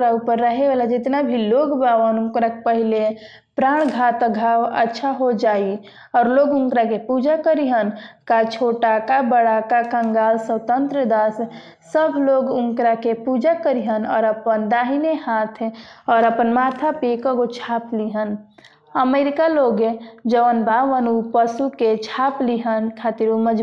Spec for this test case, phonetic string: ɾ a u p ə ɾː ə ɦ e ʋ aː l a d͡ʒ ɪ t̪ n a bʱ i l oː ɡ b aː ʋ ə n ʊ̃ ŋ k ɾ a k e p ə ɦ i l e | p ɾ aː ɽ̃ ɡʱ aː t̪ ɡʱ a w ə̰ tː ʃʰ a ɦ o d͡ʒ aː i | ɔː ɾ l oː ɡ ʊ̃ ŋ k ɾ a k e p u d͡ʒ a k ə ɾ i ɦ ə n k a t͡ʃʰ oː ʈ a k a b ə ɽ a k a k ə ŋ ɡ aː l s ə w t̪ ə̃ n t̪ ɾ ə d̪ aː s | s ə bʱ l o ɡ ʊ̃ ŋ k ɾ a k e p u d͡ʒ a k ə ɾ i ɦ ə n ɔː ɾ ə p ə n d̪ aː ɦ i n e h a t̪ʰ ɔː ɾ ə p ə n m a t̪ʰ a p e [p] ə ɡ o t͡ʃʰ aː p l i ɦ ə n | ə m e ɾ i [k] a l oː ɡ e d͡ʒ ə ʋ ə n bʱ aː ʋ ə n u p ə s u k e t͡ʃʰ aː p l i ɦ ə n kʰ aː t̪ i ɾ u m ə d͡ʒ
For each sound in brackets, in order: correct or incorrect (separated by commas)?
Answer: incorrect, correct